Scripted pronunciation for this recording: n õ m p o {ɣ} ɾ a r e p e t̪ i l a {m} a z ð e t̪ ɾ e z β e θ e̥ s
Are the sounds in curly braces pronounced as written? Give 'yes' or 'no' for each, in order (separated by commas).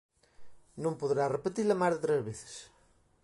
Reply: no, yes